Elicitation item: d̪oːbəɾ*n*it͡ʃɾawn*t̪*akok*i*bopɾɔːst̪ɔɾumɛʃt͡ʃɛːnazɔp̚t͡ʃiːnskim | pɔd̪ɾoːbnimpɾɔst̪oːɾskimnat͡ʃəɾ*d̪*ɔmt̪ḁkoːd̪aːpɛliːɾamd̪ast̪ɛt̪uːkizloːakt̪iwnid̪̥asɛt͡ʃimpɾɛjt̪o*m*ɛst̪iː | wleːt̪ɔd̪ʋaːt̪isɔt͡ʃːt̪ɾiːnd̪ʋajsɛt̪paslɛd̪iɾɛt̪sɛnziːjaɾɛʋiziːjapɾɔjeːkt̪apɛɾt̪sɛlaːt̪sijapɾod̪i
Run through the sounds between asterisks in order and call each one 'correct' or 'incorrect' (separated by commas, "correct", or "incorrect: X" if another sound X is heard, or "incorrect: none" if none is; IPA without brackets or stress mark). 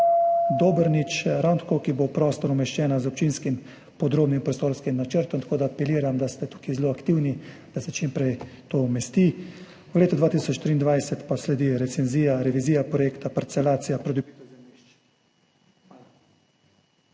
correct, correct, correct, incorrect: t̪, correct